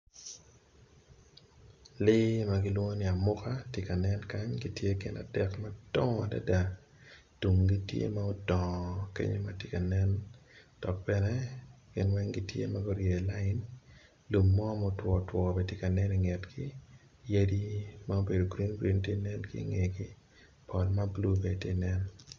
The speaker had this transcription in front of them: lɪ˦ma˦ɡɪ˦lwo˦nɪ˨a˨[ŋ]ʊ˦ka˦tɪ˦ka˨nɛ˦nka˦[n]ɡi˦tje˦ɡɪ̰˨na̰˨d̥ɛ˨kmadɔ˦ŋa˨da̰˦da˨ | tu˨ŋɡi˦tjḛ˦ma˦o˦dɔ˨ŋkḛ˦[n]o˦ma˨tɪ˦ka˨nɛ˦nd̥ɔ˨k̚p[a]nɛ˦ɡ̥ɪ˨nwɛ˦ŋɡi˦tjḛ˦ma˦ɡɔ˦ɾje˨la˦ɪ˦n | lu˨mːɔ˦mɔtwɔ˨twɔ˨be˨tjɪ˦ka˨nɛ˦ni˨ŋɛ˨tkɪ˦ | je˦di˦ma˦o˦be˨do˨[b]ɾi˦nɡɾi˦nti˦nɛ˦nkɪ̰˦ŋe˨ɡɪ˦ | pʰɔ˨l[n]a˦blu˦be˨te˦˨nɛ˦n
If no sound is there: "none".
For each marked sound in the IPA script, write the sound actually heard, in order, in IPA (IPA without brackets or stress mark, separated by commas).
m, ɲ, ɲ, ɛ, ɡ, m